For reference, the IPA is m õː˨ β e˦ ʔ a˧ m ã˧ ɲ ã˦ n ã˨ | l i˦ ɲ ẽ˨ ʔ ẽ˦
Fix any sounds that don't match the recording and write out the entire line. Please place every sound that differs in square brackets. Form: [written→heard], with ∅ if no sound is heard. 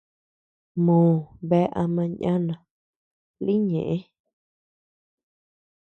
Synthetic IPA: m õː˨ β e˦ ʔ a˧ m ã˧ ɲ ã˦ n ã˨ | l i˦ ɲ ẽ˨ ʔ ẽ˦